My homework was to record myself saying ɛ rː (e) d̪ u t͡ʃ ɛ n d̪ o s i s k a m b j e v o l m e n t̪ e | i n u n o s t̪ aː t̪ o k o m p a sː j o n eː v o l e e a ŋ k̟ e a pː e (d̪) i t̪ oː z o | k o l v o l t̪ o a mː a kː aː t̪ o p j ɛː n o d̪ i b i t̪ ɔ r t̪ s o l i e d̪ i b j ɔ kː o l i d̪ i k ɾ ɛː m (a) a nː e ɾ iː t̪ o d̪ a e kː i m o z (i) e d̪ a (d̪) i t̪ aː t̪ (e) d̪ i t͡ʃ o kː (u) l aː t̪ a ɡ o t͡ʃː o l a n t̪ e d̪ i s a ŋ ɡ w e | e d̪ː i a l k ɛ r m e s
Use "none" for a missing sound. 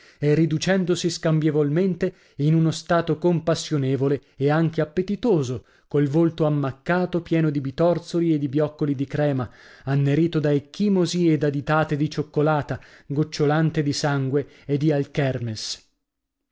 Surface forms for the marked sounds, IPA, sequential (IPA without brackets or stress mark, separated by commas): i, t̪, a, i, d̪, e, o